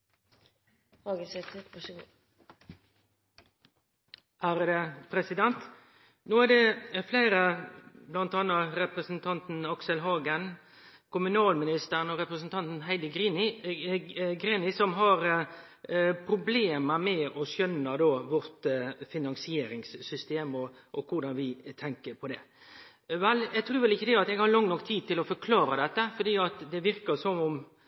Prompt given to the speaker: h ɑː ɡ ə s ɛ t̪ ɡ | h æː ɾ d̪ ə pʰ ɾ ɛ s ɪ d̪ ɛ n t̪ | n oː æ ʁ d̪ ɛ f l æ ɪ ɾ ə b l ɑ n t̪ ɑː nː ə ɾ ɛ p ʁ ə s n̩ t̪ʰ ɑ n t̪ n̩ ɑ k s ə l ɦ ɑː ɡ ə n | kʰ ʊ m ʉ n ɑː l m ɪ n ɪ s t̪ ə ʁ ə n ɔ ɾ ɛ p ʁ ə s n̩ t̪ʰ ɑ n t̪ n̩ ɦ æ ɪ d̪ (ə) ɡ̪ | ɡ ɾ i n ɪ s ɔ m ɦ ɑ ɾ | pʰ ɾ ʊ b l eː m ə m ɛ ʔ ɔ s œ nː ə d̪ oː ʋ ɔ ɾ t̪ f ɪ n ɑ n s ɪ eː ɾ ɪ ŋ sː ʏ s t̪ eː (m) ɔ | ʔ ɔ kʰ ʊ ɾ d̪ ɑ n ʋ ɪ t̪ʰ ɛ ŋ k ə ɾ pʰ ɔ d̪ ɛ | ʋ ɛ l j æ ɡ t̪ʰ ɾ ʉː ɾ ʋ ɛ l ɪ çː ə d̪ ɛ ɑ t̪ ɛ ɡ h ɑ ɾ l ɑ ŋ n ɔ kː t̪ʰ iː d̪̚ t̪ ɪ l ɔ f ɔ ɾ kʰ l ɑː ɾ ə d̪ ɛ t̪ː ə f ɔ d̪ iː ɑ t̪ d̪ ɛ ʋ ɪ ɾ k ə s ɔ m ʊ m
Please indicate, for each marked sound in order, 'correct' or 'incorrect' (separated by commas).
correct, correct